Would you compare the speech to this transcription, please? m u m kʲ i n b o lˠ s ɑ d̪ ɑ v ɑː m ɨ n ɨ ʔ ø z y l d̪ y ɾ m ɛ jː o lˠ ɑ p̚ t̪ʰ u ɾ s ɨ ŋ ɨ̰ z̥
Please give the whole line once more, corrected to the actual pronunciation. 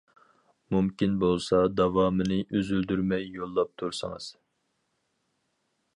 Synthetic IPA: m u m kʲ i n b o lˠ s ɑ d̪ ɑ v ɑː m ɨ n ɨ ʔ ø z y l d̪ y ɾ m ɛ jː o lˠː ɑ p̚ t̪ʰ u ɾ s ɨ ŋ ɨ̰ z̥